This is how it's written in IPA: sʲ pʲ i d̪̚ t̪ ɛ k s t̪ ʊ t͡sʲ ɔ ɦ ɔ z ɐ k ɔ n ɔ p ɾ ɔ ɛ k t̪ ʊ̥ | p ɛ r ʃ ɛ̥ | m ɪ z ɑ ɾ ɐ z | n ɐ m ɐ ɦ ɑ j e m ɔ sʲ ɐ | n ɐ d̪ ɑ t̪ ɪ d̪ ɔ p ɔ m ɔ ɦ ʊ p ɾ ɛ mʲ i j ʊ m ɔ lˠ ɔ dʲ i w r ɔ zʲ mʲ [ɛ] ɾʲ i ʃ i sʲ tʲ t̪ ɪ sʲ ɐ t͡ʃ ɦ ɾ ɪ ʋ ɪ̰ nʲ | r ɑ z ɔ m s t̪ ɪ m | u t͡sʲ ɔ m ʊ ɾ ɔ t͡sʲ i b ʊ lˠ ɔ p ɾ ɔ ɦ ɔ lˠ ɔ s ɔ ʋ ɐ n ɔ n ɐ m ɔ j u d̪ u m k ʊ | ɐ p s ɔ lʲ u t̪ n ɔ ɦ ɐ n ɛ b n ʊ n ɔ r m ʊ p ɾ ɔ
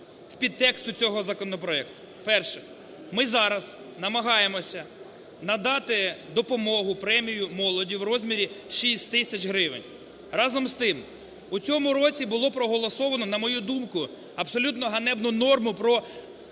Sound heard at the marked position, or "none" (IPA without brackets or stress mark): i